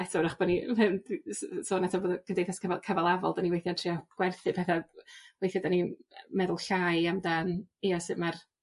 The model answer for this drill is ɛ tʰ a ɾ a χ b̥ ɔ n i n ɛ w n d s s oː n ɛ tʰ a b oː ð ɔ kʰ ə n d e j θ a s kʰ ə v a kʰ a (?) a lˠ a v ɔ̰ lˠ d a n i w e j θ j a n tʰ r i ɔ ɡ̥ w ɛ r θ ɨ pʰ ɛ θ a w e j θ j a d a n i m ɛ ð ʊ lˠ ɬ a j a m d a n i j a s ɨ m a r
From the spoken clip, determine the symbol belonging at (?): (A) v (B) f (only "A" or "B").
A